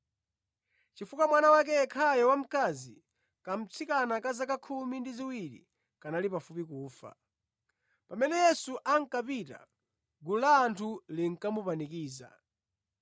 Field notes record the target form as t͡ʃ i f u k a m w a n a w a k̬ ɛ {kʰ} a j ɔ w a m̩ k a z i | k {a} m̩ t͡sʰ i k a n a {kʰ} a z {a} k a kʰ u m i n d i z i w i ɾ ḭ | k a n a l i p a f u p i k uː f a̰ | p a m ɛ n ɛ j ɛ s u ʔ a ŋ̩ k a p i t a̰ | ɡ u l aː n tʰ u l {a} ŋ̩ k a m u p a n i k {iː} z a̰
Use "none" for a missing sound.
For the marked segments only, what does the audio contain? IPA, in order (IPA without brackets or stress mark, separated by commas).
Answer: kʰ, a, k, a, i, iː